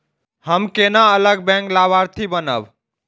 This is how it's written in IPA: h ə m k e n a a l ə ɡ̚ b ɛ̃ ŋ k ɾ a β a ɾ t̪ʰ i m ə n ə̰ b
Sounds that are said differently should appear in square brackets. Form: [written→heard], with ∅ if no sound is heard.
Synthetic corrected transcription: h ə m k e n a [a→ə] l ə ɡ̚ b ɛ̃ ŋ k [ɾ→l] a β a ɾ t̪ʰ i [m→b] ə n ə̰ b